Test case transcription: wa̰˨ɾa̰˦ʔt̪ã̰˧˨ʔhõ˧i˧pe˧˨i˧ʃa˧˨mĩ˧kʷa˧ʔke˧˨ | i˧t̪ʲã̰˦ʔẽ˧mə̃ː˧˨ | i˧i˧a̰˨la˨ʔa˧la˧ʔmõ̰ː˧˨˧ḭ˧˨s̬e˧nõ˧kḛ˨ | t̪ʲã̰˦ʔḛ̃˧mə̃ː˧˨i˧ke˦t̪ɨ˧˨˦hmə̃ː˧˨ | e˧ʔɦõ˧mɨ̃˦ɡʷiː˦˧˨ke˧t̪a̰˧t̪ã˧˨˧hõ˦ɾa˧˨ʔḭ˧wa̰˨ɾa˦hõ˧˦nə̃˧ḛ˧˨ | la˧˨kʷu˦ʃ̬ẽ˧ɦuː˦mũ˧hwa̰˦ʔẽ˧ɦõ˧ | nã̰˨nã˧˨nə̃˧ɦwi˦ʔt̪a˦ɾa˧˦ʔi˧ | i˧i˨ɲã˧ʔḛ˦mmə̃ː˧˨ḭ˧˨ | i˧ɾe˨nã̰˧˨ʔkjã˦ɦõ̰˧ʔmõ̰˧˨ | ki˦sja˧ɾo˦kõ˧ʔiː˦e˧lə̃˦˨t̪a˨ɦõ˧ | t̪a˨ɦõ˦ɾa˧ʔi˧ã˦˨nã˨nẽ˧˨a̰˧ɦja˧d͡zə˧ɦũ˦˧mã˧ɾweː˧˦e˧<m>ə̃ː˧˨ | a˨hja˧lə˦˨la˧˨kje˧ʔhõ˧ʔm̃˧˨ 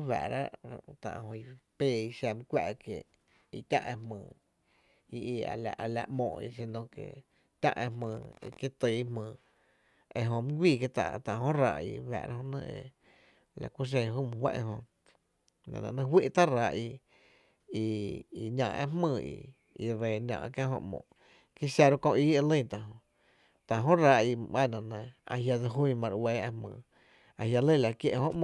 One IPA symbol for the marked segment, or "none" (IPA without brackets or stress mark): m